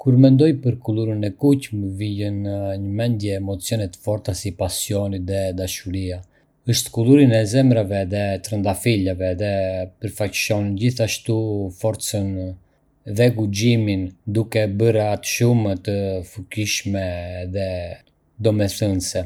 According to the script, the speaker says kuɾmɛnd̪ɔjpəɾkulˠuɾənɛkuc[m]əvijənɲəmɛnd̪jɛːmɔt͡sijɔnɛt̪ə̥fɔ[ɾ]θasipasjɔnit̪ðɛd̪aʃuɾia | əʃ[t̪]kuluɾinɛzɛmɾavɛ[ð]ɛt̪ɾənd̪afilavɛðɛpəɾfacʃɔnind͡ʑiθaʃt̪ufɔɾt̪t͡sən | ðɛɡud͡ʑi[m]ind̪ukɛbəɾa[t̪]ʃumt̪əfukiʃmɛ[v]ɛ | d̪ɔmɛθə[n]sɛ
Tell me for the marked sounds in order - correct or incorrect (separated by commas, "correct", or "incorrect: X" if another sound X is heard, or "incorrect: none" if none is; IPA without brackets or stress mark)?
correct, correct, correct, correct, correct, correct, incorrect: ð, correct